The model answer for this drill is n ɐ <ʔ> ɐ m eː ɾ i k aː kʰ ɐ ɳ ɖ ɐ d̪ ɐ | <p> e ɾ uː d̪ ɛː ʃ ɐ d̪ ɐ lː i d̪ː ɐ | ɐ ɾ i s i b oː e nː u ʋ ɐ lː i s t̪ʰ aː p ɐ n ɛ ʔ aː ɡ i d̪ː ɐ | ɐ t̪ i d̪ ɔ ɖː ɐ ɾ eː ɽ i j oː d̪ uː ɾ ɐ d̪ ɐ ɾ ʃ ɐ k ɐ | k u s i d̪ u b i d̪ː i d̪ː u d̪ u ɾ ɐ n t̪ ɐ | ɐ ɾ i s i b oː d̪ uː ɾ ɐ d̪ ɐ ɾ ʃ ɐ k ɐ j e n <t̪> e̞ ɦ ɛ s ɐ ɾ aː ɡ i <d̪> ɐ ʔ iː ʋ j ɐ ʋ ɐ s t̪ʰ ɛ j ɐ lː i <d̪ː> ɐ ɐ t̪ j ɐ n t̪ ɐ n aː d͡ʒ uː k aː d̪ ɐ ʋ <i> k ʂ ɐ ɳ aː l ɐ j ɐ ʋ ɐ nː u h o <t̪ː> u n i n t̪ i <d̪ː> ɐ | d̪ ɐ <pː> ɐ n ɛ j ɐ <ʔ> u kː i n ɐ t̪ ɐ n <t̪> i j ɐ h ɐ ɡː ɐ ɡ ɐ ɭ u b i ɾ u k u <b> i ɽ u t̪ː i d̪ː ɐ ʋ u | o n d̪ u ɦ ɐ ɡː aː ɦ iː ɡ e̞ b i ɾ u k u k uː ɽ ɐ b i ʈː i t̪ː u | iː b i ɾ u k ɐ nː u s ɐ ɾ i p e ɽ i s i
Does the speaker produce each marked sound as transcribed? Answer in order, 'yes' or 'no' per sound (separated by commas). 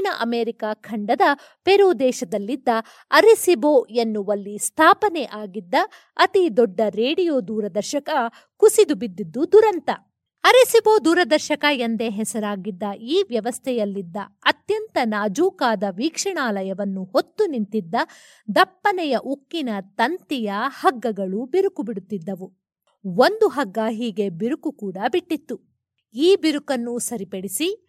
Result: yes, yes, no, no, yes, no, yes, yes, yes, yes, yes, yes